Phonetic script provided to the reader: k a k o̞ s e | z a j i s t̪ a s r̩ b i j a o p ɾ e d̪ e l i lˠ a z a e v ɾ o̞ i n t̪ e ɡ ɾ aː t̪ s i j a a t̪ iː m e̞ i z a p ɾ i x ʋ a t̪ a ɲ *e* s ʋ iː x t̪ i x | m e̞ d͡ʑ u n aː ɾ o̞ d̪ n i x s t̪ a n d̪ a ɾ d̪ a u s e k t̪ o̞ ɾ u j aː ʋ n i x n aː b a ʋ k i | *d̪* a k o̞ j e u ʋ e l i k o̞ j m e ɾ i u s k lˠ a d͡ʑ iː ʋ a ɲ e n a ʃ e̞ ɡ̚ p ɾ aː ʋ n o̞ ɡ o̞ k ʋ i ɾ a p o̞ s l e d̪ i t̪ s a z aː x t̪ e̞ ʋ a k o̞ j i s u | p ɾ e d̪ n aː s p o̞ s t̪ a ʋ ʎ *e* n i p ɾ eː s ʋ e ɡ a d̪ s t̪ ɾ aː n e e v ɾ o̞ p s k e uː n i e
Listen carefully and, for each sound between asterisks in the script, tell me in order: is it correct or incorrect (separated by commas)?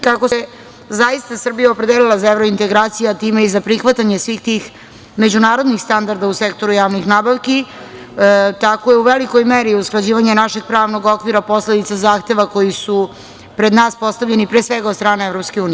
correct, incorrect, correct